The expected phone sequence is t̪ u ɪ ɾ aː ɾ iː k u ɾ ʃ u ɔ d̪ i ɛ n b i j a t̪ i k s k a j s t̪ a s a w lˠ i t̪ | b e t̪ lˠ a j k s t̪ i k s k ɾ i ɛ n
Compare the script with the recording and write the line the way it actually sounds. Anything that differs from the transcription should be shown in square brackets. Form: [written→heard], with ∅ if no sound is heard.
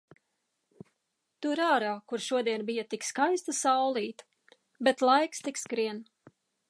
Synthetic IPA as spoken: t̪ u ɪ ɾ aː ɾ [iː→aː] k u ɾ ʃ u ɔ d̪ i ɛ n b i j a t̪ i k s k a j s t̪ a s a w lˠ [i→iː] t̪ | b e t̪ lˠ a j k s t̪ i k s k ɾ i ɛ n